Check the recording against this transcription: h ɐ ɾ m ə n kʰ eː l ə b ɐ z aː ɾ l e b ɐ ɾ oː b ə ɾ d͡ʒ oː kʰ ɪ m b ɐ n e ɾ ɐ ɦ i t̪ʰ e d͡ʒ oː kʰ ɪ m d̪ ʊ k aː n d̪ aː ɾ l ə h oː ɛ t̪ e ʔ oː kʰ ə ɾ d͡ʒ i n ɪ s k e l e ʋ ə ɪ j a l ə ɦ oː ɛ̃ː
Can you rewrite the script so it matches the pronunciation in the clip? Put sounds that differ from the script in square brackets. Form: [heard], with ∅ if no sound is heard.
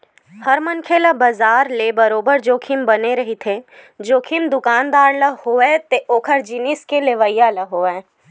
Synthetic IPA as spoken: h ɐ ɾ m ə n kʰ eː l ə b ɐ z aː ɾ l e b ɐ ɾ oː b ə ɾ d͡ʒ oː kʰ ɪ m b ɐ n e ɾ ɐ ɦ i t̪ʰ e d͡ʒ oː kʰ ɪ m d̪ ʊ k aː n d̪ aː ɾ l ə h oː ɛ t̪ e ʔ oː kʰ ə ɾ d͡ʒ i n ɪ s k e l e ʋ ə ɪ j a l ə ɦ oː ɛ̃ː

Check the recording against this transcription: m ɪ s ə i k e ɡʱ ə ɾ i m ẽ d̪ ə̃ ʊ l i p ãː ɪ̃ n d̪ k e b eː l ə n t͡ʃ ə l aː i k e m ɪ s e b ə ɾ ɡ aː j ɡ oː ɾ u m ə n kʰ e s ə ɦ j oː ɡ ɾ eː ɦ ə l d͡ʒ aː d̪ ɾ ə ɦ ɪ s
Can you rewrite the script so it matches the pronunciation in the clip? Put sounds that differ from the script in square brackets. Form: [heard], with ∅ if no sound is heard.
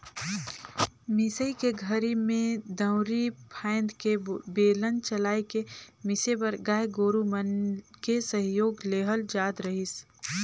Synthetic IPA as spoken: m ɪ s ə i k e ɡʱ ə ɾ i m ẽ d̪ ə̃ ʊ [ɾ] i [pʰ] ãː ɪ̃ n d̪ k e b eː l ə n t͡ʃ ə l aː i k e m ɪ s e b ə ɾ ɡ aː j ɡ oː ɾ u m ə n [k] e s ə ɦ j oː ɡ [l] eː ɦ ə l d͡ʒ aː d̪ ɾ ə ɦ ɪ s

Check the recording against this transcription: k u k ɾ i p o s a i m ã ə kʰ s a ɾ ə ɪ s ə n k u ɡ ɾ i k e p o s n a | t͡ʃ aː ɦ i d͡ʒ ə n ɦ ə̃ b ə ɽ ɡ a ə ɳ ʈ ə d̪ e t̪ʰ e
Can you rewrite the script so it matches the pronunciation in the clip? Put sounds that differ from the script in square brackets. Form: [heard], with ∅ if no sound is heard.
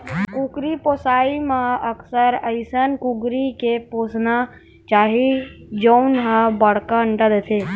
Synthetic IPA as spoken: k u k ɾ i p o s a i m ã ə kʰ s [ə] ɾ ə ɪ s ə n k u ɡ ɾ i k e p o s n a | t͡ʃ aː ɦ i d͡ʒ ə n ɦ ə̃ b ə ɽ [k] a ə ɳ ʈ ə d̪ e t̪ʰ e

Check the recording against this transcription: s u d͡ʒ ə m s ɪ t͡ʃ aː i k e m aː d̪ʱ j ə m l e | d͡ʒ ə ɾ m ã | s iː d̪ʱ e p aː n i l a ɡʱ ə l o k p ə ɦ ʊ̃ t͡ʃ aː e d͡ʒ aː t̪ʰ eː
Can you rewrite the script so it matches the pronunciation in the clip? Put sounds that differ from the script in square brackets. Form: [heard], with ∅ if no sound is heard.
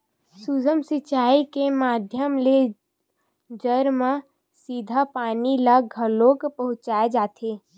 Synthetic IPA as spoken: s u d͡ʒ ə m s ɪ t͡ʃ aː i k e m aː d̪ʱ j ə m l e | d͡ʒ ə ɾ m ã | s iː d̪ʱ [a] p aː n i l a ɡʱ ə l o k p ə ɦ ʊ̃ t͡ʃ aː e d͡ʒ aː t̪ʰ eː

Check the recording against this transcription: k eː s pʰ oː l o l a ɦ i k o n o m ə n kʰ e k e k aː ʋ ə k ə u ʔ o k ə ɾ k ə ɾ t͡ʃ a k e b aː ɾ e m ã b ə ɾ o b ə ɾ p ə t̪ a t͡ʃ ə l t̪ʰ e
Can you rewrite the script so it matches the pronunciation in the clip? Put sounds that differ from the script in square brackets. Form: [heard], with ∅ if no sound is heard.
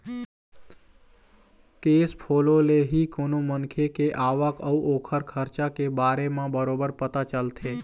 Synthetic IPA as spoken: k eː s pʰ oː l o l [e] ɦ i k o n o m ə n kʰ e k e [ʔ] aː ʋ ə k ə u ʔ o [kʰ] ə ɾ [kʰ] ə ɾ t͡ʃ a k e b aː ɾ e m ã b ə ɾ o b ə ɾ p ə t̪ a t͡ʃ ə l t̪ʰ e

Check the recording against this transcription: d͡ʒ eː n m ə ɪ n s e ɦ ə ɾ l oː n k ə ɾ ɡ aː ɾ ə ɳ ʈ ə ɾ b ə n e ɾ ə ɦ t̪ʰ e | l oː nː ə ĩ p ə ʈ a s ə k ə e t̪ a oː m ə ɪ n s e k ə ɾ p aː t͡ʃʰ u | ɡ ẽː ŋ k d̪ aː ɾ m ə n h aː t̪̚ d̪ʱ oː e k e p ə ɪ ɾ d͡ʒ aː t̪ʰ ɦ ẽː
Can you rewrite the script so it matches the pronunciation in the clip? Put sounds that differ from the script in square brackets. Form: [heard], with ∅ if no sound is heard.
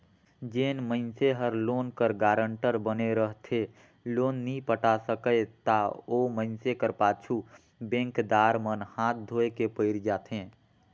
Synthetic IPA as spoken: d͡ʒ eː n m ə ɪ n s e ɦ ə ɾ l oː n k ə ɾ ɡ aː ɾ ə ɳ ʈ ə ɾ b ə n e ɾ ə ɦ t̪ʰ e | l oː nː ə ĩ p ə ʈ a s ə k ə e t̪ a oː m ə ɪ n s e k ə ɾ p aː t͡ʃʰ u | [b] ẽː ŋ k d̪ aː ɾ m ə n h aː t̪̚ d̪ʱ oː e k e p ə ɪ ɾ d͡ʒ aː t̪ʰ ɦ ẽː

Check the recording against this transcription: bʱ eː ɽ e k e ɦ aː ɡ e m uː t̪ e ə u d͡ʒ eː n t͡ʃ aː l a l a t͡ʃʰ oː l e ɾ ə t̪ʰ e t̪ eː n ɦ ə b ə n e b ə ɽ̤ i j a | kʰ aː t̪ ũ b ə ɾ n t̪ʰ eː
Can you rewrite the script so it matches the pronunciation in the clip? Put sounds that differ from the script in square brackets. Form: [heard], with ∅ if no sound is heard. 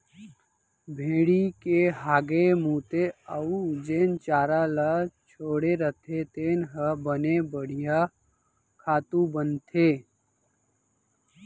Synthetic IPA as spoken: bʱ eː ɽ [i] k e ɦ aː ɡ e m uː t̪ e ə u d͡ʒ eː n t͡ʃ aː [ɾ] a l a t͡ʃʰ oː [ɽ] e ɾ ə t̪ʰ e t̪ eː n ɦ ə b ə n e b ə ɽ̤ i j a | kʰ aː t̪ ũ b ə [∅] n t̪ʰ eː

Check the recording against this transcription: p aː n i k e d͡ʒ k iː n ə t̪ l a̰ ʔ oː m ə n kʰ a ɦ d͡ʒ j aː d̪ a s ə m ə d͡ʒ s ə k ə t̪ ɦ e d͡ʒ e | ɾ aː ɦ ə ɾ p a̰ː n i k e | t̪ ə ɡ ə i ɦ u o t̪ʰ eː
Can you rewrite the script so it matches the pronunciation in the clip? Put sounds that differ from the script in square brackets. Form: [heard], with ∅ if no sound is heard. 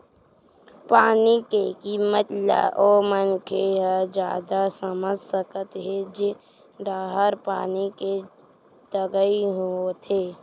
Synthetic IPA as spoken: p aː n i k e [∅] k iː [m] ə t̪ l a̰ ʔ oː m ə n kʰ [e] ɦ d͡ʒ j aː d̪ a s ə m ə d͡ʒ s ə k ə t̪ ɦ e d͡ʒ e | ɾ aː ɦ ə ɾ p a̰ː n i k e | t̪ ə ɡ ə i ɦ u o t̪ʰ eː

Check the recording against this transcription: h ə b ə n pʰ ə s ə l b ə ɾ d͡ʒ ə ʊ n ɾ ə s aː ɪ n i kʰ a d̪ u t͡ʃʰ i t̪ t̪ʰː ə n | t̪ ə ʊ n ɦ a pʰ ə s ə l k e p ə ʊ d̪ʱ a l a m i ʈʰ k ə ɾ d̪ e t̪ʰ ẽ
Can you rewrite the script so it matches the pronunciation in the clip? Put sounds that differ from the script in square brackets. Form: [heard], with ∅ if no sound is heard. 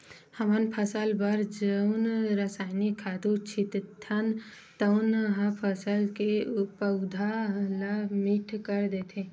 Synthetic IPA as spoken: h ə [m] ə n pʰ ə s ə l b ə ɾ d͡ʒ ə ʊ n ɾ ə s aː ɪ n i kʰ a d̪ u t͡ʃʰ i t̪ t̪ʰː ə n | t̪ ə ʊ n ɦ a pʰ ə s ə l k e p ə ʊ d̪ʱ a l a m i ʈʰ k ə ɾ d̪ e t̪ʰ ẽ

